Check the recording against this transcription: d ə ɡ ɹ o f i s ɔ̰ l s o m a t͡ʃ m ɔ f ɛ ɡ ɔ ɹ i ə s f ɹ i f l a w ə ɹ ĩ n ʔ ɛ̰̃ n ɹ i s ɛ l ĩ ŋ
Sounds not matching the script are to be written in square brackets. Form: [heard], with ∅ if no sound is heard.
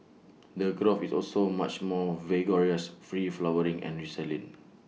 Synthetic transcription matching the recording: d ə ɡ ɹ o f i s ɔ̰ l s o m a t͡ʃ m ɔ [v] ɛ ɡ ɔ ɹ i ə s f ɹ i f l a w ə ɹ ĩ [ŋ] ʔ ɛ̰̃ n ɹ i s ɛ l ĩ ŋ